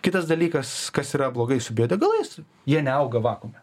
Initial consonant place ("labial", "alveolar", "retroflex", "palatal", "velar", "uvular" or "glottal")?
velar